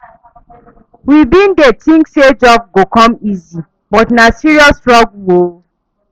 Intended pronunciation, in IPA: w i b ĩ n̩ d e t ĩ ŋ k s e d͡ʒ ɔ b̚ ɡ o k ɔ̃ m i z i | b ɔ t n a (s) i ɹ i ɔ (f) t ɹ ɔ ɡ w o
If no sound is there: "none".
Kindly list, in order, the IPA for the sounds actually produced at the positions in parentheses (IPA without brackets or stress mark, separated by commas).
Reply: s, s